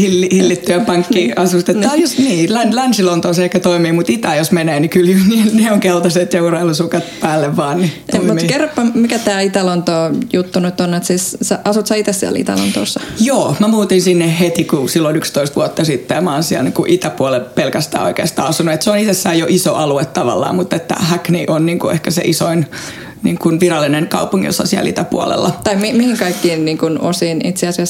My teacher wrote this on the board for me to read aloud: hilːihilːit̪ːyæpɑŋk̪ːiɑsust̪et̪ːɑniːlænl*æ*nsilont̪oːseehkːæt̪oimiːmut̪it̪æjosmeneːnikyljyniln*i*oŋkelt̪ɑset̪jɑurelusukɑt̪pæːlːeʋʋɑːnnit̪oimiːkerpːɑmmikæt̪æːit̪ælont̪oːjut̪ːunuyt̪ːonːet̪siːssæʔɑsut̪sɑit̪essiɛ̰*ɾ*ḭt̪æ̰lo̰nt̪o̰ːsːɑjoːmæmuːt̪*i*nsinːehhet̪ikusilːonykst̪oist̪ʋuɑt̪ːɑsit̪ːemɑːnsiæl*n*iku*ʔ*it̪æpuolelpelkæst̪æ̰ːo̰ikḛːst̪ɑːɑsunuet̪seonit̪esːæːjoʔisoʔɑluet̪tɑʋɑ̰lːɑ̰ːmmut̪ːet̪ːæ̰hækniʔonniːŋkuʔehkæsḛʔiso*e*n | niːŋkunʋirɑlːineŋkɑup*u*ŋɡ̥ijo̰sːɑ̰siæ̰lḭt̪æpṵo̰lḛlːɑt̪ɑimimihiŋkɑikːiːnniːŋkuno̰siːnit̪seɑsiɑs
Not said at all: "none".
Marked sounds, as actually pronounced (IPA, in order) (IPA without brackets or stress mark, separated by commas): æ, e, l, i, n, ʔ, i, u